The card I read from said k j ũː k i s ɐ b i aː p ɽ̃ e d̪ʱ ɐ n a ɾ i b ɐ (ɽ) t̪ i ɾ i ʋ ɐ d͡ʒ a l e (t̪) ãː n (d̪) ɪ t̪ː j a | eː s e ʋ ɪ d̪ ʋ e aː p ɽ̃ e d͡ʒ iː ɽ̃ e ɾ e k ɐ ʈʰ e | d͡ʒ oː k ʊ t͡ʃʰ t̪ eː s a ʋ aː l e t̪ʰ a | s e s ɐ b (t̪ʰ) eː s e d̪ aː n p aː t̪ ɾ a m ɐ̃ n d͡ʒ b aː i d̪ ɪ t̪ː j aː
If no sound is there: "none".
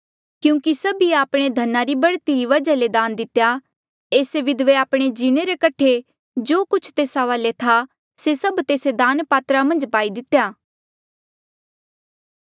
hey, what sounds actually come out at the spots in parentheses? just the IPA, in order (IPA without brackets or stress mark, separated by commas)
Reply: ɽ, d̪, d̪, t̪